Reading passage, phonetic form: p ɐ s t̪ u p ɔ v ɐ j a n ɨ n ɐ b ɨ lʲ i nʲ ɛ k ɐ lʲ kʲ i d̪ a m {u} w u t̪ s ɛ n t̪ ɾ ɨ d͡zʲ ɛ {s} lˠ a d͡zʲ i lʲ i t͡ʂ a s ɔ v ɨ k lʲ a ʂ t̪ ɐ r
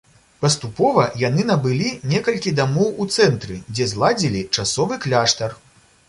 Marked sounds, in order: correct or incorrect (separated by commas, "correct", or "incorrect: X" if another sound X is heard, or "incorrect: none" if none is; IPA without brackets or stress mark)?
incorrect: ɔ, incorrect: z